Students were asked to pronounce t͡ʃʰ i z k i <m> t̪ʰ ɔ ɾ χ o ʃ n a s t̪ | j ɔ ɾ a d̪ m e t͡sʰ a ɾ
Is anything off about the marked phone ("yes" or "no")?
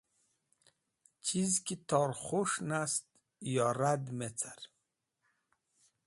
yes